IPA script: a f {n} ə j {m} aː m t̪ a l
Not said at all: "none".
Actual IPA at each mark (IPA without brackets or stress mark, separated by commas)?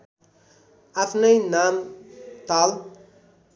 n, n